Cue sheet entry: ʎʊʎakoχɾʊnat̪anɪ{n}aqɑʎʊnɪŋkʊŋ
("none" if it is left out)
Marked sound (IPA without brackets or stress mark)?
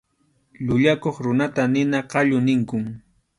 n